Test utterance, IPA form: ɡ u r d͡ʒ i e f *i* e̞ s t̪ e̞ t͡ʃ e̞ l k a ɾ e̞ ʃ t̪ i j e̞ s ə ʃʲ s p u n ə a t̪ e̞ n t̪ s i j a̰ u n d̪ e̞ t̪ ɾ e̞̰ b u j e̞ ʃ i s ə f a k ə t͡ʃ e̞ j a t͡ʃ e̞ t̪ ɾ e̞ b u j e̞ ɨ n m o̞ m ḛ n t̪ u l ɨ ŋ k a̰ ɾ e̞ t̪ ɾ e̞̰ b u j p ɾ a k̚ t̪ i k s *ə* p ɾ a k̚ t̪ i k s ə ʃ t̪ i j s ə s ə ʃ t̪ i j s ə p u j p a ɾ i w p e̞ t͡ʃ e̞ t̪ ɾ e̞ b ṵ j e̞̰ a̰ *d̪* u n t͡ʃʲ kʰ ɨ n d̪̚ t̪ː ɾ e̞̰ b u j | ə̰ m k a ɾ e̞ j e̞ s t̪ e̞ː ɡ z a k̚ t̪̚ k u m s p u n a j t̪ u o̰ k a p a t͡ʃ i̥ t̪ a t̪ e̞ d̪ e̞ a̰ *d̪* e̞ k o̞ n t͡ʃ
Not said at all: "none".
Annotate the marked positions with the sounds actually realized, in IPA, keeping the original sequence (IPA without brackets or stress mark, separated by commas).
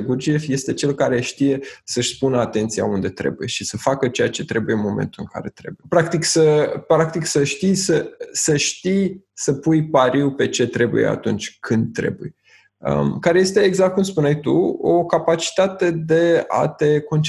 j, ə, t̪, t̪